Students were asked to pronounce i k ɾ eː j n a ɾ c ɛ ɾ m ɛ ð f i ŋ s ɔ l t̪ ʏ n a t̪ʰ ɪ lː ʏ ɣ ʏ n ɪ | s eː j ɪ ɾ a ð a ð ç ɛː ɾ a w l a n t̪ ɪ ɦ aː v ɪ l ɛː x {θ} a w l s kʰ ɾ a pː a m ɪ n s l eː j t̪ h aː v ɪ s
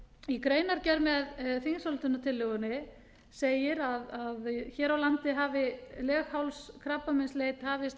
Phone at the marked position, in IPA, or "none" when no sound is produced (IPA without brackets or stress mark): h